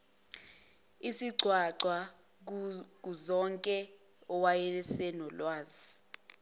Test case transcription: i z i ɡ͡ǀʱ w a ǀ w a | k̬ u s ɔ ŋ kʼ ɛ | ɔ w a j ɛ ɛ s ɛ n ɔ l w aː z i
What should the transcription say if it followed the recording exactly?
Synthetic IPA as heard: i s i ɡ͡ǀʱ w a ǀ w a | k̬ u z ɔ ŋ kʼ ɛ | ɔ w a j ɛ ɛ s ɛ n ɔ l w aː z i